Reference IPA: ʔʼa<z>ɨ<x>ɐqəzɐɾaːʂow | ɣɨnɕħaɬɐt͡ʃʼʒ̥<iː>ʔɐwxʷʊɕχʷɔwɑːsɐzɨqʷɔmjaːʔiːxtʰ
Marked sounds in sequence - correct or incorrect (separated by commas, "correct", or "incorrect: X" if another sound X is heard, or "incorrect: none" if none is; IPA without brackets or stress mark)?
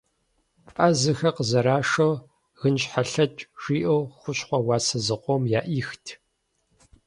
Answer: correct, correct, correct